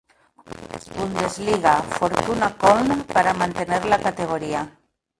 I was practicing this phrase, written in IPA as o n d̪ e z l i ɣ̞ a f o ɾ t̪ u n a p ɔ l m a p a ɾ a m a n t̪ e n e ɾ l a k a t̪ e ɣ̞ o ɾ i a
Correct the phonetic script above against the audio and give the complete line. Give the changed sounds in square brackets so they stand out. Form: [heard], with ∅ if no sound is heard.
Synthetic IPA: [u] n d̪ e z l i ɣ̞ a f o ɾ t̪ u n a [k] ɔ l [n] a p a ɾ a m a n t̪ e n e ɾ l a k a t̪ e ɣ̞ o ɾ i a